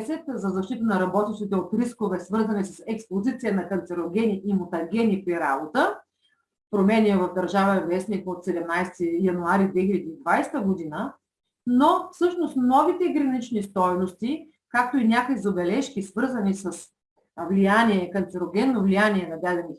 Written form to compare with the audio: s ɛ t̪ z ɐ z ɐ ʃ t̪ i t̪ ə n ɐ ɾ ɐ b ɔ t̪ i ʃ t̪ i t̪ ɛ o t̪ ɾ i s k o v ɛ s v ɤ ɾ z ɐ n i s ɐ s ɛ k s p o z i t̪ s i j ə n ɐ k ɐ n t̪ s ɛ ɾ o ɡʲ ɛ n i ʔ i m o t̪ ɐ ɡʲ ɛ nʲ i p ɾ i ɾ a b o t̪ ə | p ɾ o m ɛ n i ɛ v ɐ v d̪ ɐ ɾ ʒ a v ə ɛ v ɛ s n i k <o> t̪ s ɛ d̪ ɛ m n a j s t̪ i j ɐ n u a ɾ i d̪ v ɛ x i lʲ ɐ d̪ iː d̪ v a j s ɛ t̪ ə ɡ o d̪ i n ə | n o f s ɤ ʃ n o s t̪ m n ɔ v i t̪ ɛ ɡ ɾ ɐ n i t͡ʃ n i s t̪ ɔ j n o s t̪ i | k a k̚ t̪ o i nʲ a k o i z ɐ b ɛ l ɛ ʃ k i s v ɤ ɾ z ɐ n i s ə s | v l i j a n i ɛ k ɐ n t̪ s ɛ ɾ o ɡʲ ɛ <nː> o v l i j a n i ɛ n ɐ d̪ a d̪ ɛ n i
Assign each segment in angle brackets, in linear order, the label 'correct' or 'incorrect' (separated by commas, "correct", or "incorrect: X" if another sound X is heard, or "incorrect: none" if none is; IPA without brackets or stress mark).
correct, correct